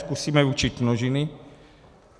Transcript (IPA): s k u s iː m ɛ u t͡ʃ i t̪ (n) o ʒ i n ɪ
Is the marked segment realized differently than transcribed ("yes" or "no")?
no